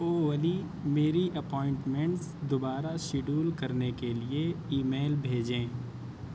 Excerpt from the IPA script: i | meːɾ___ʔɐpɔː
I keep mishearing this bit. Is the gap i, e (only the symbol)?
i